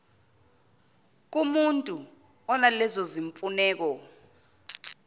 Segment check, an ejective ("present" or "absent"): present